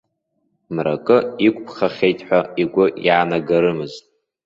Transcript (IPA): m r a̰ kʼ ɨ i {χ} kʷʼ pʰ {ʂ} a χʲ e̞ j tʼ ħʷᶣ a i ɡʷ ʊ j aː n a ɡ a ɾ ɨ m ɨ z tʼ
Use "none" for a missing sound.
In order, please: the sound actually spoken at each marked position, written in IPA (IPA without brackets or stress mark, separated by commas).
none, χ